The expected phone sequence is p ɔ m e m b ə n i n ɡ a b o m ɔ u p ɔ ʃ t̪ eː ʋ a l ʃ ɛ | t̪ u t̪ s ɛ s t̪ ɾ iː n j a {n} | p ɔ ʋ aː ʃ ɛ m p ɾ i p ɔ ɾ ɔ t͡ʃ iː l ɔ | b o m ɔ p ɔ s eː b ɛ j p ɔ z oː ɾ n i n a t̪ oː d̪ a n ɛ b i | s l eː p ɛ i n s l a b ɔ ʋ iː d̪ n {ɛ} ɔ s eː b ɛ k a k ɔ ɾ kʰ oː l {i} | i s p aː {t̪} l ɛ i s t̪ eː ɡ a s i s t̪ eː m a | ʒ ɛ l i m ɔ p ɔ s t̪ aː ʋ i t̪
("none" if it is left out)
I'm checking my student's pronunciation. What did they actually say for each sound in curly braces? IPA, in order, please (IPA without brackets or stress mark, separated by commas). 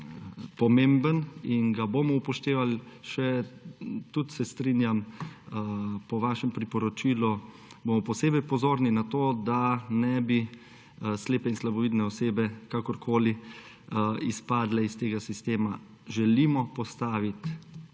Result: m, ɛ, i, d̪